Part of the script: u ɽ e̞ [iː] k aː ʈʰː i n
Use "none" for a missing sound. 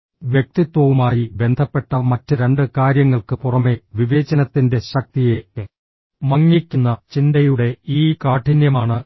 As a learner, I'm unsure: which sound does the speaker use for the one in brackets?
iː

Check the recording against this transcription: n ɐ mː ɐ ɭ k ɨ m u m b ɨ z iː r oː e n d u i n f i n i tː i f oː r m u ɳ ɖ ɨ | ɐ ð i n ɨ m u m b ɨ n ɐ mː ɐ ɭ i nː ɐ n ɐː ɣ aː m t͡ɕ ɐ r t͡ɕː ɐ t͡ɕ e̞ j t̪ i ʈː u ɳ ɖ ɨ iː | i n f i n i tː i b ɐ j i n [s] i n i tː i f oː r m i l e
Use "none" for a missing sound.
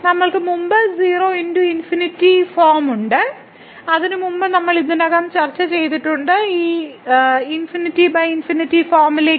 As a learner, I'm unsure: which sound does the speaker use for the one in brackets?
f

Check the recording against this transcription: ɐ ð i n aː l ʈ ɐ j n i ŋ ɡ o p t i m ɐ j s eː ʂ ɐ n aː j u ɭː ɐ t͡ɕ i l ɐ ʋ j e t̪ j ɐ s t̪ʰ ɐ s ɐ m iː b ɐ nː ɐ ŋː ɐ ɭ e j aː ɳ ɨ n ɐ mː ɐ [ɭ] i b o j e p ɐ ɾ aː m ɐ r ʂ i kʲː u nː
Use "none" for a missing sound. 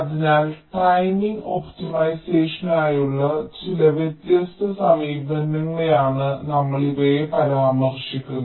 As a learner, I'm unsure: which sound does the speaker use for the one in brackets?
ɭ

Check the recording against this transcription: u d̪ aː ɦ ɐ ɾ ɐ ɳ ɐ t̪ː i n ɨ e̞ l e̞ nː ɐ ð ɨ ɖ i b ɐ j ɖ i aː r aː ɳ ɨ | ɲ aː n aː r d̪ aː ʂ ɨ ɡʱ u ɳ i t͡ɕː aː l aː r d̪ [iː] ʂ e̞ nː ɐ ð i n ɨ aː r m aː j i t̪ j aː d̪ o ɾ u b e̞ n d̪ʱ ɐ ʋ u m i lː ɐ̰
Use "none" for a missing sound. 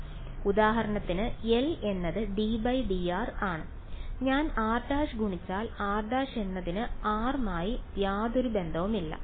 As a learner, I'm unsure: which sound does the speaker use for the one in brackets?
aː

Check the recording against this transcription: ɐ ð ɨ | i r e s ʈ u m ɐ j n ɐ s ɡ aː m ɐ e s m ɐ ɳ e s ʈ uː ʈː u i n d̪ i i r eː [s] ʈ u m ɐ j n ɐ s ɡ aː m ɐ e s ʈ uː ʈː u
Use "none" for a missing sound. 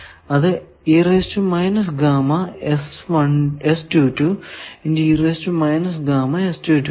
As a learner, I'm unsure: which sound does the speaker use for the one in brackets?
s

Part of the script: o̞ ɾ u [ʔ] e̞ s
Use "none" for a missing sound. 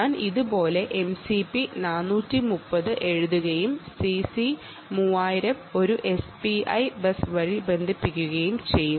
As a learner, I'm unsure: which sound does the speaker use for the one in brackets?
ʔ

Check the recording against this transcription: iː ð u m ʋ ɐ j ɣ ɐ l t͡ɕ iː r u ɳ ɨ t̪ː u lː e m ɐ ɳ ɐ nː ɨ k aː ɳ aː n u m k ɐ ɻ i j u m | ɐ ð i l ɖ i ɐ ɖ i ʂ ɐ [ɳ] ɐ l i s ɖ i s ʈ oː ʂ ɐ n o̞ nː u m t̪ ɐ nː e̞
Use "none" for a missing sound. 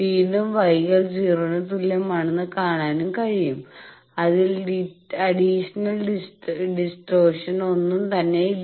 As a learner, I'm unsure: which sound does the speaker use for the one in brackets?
n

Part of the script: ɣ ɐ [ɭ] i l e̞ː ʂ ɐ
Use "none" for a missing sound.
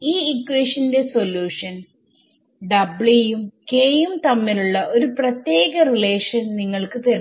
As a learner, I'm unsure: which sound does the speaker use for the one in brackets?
r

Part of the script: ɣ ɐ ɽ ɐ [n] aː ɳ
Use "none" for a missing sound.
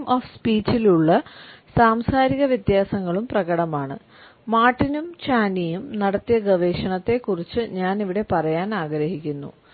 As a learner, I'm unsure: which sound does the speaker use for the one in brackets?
m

